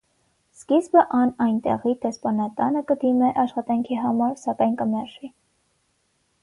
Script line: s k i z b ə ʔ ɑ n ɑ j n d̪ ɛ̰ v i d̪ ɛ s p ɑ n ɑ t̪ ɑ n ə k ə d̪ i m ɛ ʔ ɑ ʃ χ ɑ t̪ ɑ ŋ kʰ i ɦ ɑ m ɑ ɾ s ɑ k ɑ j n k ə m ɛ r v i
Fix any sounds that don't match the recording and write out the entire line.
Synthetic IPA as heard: s k i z b ə ʔ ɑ n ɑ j n t̪ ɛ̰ ʁ i d̪ ɛ s p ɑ n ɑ t̪ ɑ n ə k ə d̪ i m ɛ ʔ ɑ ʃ χ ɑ t̪ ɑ ŋ kʰ i ɦ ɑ m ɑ ɾ s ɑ k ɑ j n k ə m ɛ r ʒ i

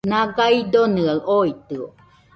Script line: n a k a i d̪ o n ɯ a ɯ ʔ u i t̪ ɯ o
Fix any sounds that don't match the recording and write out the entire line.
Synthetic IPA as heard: n a ɡ a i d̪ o n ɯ a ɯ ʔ o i t̪ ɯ o

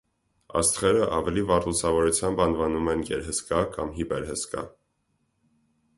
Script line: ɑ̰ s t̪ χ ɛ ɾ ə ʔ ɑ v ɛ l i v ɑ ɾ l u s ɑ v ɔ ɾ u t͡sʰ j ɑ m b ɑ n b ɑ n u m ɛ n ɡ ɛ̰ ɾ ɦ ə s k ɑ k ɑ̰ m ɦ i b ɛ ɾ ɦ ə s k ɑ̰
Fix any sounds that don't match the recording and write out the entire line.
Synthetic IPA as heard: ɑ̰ s t̪ χ ɛ ɾ ə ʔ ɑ v ɛ l i v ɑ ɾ l u s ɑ v ɔ ɾ u t͡sʰ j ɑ m b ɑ n v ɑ n u m ɛ n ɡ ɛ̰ ɾ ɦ ə s k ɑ k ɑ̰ m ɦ i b ɛ ɾ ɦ ə s k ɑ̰

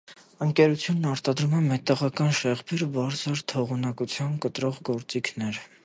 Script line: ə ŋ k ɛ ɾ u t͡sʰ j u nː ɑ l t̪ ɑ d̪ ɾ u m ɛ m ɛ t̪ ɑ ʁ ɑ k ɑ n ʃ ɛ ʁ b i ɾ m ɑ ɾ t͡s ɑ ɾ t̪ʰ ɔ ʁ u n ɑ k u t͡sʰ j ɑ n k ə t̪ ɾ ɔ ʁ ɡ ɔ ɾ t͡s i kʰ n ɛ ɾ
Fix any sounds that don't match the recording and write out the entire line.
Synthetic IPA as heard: ə ŋ k ɛ ɾ u t͡sʰ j u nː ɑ ɾ t̪ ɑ d̪ ɾ u m ɛ m ɛ t̪ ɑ ʁ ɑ k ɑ n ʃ ɛ ʁ b i ɾ b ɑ ɾ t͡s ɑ ɾ t̪ʰ ɔ ʁ u n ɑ k u t͡sʰ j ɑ n k ə t̪ ɾ ɔ ʁ ɡ ɔ ɾ t͡s i kʰ n ɛ ɾ

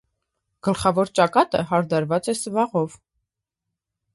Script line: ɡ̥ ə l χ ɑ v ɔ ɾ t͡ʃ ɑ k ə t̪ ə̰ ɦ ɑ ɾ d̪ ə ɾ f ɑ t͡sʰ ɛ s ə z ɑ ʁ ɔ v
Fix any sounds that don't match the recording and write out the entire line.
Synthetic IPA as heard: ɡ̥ ə l χ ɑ v ɔ ɾ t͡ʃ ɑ k ɑ t̪ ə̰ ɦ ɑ ɾ d̪ ɑ ɾ v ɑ t͡s ɛ s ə v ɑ ʁ ɔ v

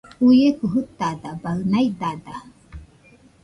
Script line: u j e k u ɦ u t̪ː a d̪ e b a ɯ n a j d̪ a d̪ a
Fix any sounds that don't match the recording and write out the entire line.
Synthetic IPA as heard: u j e k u ɦ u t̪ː a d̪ a b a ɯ n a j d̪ a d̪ a

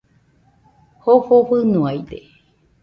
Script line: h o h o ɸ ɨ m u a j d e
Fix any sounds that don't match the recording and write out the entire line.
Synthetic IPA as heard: h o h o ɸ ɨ n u a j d e

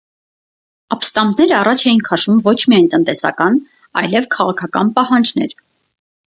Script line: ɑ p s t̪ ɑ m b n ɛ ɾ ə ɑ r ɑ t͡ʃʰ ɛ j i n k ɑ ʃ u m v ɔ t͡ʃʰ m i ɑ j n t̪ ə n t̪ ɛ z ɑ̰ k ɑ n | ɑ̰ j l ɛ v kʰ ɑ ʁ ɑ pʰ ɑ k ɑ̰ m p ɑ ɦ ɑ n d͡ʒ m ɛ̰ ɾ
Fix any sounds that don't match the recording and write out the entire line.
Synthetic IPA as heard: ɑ p s t̪ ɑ m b n ɛ ɾ ə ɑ r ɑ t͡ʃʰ ɛ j i n kʰ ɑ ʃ u m v ɔ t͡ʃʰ m i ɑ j n t̪ ə n t̪ ɛ s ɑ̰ k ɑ n | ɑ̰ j l ɛ v kʰ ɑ ʁ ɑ kʰ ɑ k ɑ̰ n p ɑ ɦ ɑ n d͡ʒ n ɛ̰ ɾ

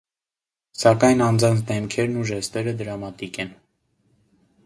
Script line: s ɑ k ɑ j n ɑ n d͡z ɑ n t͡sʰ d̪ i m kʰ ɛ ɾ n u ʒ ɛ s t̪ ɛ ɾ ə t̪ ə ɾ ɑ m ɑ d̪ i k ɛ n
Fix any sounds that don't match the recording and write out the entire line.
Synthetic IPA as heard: s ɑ k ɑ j n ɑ n d͡z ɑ n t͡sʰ d̪ ɛ m kʰ ɛ ɾ n u ʒ ɛ s t̪ ɛ ɾ ə d̪ ə ɾ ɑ m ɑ t̪ i k ɛ n

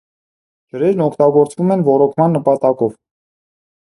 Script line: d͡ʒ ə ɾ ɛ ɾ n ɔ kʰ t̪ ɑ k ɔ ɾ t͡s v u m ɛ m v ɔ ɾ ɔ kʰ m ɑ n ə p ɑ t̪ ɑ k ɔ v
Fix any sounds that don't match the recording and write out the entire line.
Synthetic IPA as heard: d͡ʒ ə ɾ ɛ ɾ n ɔ kʰ t̪ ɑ ɡ ɔ ɾ t͡s v u m ɛ n v ɔ ɾ ɔ kʰ m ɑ nː ə p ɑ t̪ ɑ k ɔ v

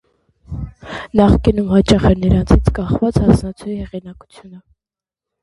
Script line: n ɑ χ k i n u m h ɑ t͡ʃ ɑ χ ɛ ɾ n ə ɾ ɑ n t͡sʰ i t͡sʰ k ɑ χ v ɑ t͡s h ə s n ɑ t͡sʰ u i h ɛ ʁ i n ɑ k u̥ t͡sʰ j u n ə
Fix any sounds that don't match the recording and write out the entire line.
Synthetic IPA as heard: n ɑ χ k i n u m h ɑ t͡ʃ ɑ χ ɛ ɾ n ə ɾ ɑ n t͡sʰ i t͡sʰ k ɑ χ v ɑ t͡s h ɑ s n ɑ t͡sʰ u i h ɛ ʁ i n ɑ k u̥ t͡sʰ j u n ə

